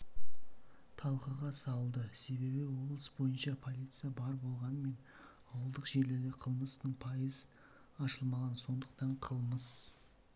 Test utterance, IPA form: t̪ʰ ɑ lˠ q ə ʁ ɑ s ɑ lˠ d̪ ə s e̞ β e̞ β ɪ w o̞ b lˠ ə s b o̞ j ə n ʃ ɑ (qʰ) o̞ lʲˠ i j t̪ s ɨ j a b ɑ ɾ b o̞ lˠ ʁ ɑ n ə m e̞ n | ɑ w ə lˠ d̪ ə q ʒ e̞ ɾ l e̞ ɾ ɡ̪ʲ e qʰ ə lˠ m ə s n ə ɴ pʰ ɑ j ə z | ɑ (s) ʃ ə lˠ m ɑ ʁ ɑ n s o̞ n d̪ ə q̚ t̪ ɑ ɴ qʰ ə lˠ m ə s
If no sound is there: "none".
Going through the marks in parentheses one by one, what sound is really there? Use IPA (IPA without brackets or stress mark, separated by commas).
pʰ, none